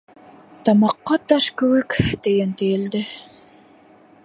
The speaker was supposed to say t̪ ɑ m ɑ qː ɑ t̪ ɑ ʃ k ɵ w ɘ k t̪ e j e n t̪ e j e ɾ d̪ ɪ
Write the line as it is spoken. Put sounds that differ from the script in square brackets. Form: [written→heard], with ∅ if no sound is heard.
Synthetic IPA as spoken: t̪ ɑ m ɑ qː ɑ t̪ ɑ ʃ k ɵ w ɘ k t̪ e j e n t̪ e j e [ɾ→l] d̪ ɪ